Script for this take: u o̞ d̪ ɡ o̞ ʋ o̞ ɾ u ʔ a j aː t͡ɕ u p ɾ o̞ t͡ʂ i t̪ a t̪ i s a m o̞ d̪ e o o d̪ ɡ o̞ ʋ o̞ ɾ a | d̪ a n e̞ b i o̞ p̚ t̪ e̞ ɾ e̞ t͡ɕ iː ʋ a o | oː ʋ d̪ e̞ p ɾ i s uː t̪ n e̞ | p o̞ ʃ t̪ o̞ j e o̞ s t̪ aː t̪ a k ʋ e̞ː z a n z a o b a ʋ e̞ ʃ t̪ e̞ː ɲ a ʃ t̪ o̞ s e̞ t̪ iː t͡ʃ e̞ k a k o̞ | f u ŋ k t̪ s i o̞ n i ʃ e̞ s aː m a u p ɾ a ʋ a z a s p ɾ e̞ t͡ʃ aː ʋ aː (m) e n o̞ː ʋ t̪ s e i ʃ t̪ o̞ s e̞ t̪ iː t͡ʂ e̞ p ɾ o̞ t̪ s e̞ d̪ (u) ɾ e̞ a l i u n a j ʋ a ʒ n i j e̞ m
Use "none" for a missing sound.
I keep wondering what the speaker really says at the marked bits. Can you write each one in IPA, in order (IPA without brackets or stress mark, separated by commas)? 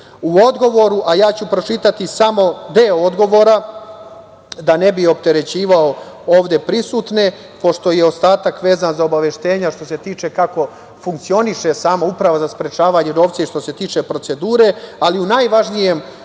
ɲ, uː